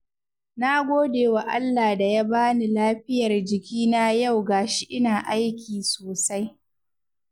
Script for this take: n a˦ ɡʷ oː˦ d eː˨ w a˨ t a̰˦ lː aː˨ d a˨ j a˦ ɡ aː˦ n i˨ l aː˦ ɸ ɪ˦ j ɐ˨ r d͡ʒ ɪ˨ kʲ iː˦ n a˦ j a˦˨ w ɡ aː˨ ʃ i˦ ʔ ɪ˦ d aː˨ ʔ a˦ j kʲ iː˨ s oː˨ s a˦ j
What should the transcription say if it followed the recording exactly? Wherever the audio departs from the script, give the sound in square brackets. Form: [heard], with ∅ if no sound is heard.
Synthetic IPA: n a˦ ɡʷ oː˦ d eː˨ w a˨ [ʔ] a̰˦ lː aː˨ d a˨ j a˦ [b] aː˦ n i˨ l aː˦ ɸ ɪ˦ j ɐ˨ r d͡ʒ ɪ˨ kʲ iː˦ n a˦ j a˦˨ w ɡ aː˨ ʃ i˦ ʔ ɪ˦ [n] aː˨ ʔ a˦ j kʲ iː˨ s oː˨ s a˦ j